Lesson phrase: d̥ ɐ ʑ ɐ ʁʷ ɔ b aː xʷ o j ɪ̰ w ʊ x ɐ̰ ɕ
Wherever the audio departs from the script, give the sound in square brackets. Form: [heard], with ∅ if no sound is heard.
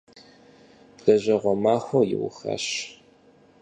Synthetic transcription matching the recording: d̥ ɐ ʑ ɐ ʁʷ ɔ [m] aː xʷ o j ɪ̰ w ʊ x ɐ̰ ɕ